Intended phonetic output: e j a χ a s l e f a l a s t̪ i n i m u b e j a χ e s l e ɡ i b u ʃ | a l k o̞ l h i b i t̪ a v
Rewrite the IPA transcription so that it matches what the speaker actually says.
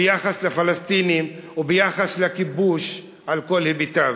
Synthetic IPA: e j a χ a s l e f a l a s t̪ i n i m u b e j a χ a s l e k i b u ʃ | a l k o̞ l h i b i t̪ a v